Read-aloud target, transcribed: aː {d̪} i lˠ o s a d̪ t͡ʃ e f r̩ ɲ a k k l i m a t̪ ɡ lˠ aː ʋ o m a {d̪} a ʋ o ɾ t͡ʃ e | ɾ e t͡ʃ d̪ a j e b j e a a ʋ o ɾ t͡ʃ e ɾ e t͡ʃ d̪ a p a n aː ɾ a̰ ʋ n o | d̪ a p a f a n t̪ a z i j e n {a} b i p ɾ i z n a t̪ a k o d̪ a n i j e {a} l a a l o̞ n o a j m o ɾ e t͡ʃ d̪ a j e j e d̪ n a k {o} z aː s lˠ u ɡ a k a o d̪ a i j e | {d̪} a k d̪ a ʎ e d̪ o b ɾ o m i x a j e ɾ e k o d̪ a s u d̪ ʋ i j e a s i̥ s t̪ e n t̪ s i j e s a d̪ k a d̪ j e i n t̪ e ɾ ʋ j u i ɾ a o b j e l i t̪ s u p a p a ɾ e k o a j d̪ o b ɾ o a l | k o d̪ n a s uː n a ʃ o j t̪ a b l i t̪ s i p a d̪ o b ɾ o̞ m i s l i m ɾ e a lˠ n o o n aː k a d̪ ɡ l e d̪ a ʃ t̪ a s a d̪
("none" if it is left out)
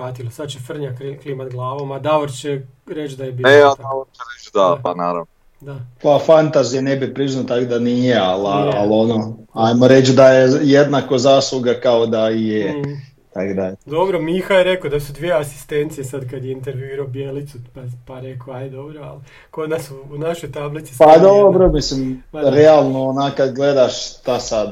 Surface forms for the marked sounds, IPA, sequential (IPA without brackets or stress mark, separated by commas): t̪, d̪, e, a, o, t̪